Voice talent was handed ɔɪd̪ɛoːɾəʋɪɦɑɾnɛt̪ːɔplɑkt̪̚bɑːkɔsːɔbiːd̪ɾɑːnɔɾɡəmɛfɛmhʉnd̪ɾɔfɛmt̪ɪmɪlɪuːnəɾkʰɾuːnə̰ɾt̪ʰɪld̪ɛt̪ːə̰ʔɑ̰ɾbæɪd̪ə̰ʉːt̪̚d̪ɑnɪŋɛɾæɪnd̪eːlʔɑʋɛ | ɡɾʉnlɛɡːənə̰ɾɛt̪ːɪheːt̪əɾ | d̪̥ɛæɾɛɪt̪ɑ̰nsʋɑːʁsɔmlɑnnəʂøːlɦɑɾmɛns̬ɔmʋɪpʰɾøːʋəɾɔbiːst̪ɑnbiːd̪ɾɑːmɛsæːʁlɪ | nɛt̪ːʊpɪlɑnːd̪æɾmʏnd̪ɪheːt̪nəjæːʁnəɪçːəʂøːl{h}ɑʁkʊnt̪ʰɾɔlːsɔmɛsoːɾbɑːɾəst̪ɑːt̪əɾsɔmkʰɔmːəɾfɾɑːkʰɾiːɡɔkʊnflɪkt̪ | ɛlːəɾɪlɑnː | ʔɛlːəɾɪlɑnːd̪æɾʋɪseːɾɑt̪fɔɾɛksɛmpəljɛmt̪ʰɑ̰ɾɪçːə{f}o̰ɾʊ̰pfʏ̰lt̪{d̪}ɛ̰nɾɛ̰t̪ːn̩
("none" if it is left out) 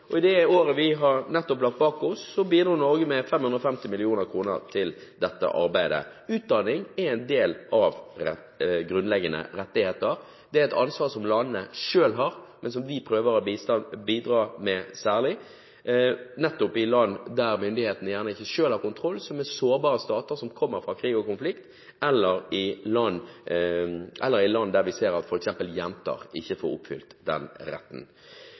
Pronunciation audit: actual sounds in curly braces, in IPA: h, f, d̪

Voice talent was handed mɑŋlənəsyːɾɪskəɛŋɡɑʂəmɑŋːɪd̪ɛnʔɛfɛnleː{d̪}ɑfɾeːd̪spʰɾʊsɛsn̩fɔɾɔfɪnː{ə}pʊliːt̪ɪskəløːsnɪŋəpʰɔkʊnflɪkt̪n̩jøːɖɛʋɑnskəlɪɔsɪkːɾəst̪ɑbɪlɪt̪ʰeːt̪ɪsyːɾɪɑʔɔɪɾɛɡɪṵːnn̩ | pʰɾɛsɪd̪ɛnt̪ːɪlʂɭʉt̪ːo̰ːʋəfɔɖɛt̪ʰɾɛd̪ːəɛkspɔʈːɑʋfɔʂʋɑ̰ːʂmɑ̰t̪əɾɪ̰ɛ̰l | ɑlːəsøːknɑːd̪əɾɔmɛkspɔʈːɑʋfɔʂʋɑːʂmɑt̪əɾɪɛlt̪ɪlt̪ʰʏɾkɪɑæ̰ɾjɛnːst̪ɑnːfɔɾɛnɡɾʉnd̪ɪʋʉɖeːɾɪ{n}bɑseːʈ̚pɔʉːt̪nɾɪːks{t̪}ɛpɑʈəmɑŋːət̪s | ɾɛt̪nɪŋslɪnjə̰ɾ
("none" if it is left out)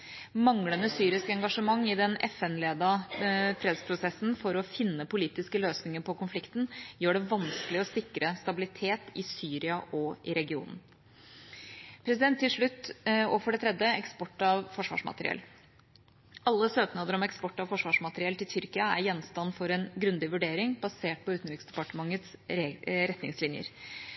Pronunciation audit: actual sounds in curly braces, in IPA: d̪, ə, ŋ, d̪

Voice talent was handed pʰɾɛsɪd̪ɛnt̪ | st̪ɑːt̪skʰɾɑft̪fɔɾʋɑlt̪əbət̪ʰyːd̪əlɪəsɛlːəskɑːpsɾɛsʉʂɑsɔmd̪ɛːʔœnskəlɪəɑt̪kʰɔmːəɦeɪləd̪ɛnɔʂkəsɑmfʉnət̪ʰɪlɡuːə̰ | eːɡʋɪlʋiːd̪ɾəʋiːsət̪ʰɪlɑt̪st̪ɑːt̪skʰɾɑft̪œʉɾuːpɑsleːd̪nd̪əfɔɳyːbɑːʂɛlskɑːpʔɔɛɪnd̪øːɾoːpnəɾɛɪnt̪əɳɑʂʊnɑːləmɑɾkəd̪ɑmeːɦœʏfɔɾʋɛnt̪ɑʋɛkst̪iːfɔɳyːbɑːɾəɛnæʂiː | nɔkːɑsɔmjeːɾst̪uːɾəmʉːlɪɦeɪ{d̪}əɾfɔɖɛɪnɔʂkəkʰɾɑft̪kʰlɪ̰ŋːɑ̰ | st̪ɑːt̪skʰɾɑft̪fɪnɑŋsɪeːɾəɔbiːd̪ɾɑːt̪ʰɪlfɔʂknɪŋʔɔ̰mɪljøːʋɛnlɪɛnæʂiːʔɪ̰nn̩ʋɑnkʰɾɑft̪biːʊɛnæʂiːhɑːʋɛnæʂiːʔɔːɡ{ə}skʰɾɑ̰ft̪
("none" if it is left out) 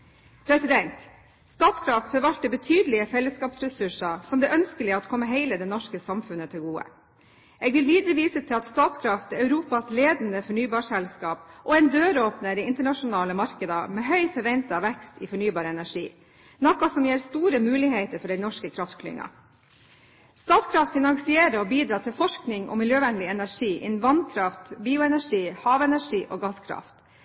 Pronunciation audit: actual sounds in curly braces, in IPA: t̪, ɑ

